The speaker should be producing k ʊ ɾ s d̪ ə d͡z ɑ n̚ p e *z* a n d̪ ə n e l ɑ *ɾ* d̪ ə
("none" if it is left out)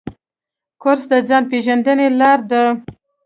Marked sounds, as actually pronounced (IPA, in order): ʒ, ɾ

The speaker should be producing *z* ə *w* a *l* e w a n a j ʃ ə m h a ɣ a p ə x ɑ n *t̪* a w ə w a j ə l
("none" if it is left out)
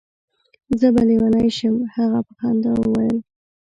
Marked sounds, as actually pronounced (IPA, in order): z, b, l, d̪

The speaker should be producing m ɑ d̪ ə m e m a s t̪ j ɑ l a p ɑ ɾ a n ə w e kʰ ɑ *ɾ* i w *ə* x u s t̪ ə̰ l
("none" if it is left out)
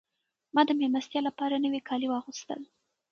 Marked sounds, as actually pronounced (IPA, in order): l, ɑ

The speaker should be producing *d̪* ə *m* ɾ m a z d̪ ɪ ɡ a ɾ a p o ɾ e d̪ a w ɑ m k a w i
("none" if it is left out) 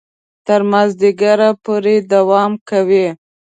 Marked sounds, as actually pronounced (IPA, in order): t̪, none

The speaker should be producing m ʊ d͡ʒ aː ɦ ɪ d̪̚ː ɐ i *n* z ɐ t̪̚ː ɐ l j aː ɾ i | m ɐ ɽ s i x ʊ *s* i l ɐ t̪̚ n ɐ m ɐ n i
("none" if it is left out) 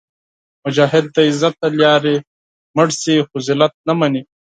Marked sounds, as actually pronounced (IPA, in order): none, z

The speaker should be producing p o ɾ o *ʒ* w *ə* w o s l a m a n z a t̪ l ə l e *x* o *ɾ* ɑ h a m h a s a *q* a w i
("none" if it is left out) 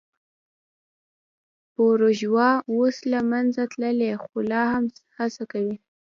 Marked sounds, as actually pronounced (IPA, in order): ʒ, ɑ, x, l, k

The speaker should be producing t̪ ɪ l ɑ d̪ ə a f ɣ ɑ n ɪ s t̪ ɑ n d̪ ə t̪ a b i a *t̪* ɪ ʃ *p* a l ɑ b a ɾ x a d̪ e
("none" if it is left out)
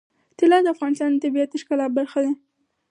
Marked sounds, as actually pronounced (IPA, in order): t̪, k

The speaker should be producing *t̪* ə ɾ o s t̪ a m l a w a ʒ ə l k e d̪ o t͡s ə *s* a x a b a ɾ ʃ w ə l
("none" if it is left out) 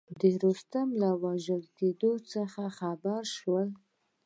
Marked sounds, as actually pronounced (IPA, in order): d̪, x

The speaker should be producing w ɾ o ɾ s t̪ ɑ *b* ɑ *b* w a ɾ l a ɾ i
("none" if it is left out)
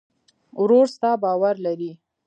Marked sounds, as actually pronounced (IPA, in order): b, none

